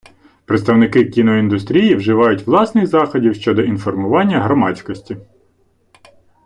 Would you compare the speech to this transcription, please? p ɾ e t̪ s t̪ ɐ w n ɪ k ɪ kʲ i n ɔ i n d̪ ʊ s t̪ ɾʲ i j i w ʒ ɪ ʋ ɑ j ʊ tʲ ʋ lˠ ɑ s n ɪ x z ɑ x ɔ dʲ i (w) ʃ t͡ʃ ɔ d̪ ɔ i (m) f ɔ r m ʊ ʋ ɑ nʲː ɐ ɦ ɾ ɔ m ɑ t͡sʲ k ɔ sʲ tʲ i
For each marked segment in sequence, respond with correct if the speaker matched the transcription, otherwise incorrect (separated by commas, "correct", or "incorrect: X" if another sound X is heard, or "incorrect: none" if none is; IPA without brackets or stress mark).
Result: correct, incorrect: n